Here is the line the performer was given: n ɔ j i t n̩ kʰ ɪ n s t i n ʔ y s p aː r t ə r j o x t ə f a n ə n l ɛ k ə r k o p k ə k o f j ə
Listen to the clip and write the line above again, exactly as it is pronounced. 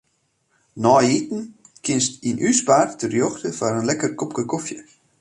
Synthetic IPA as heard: n ɔ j i t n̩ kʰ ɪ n s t i n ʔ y s p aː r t ə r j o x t ə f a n ə n l ɛ k ə r k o p k ə k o f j ə